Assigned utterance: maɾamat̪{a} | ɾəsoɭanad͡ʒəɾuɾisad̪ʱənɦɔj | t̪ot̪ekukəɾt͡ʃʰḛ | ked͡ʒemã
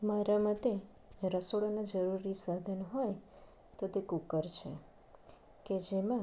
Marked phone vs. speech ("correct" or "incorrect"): incorrect